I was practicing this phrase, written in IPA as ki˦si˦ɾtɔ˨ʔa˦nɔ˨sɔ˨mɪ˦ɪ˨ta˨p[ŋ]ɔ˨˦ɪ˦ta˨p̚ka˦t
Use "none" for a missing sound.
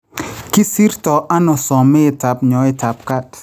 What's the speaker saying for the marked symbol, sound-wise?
ɲ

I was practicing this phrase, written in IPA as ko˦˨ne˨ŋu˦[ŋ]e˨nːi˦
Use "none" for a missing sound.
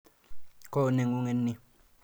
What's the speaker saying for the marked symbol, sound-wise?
ŋ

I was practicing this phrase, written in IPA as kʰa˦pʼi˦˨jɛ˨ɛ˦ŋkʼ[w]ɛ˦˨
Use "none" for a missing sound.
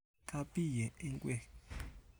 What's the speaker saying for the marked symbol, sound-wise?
w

